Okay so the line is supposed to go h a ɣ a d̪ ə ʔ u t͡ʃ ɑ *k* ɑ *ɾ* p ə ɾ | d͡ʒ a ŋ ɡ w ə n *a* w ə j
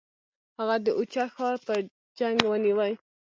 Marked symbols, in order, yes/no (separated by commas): no, yes, no